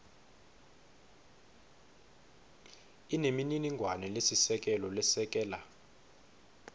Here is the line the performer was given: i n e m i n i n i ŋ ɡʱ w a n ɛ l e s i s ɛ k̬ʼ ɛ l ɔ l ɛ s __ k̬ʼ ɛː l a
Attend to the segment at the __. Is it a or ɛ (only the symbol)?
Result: ɛ